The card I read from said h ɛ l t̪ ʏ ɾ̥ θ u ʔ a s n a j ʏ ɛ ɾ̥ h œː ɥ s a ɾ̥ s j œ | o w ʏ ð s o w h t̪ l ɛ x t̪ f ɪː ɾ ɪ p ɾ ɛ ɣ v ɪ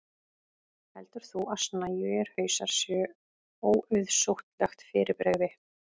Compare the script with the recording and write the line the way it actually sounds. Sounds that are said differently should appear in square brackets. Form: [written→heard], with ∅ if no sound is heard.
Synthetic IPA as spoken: h ɛ l t̪ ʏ ɾ̥ θ u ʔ a s n a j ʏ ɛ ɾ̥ h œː ɥ s a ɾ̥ s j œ | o w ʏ ð s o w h t̪ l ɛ x t̪ f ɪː ɾ ɪ p ɾ ɛ ɣ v ɪ